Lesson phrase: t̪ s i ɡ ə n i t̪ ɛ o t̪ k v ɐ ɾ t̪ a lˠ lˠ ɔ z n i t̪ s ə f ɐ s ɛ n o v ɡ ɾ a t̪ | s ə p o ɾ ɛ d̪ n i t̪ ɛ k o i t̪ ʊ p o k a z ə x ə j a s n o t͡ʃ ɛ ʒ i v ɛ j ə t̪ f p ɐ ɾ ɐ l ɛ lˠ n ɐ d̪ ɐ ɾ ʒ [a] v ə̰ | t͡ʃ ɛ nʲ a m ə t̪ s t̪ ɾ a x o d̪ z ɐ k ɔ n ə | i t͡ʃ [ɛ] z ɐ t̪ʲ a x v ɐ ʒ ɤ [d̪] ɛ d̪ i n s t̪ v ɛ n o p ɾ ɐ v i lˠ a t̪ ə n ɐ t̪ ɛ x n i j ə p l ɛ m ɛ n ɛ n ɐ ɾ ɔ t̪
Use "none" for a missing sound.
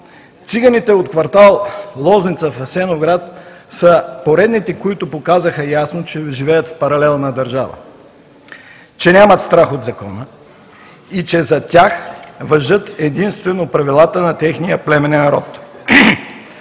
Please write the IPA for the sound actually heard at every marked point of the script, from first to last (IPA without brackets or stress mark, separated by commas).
a, ɛ, t̪